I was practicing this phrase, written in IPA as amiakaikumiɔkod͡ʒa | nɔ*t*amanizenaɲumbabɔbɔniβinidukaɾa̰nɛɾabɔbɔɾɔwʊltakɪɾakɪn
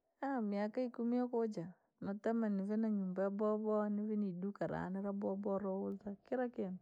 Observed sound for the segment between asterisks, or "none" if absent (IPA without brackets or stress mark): t